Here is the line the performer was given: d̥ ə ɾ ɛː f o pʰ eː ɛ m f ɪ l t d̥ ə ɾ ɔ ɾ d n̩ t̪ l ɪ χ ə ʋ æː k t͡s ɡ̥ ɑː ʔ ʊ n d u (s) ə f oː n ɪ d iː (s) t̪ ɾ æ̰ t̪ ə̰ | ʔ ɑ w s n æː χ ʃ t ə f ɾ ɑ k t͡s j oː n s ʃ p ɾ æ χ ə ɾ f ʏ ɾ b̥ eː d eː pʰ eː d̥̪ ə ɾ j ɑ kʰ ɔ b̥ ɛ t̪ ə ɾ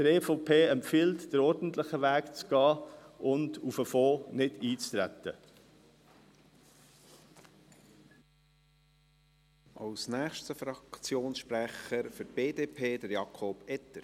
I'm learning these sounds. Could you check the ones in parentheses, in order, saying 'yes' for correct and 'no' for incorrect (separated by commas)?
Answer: no, no